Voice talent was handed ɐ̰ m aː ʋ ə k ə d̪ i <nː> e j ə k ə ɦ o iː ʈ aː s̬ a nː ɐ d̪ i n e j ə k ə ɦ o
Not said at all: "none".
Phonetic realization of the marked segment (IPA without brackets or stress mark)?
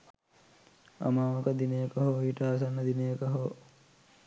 n